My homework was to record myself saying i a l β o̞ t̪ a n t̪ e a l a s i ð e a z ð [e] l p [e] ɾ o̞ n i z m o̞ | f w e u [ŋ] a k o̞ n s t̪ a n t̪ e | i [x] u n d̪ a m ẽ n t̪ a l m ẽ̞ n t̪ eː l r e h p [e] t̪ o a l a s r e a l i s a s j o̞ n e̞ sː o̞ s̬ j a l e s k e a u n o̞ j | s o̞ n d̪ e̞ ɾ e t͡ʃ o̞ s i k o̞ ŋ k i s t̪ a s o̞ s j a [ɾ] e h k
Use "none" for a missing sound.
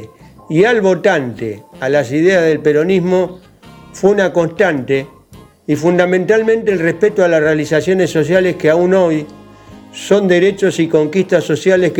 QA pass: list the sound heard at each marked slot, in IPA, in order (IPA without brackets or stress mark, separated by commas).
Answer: e, e, n, f, e, l